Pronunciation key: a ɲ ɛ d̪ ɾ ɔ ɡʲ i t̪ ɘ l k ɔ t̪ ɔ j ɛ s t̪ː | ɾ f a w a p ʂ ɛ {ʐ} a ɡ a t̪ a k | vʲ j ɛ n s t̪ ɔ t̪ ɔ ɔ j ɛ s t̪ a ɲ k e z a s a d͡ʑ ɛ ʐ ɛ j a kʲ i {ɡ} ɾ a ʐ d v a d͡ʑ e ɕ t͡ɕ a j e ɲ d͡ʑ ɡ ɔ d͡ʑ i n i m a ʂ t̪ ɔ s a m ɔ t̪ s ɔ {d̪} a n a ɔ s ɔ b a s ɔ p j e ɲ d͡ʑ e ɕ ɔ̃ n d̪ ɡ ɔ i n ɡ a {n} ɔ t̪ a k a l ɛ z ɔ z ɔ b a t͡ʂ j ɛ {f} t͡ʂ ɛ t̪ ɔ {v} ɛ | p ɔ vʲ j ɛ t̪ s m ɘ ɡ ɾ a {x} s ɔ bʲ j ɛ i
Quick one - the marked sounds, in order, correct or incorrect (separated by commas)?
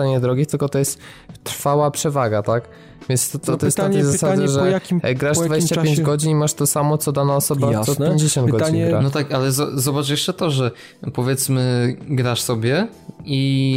incorrect, correct, correct, correct, incorrect, incorrect, incorrect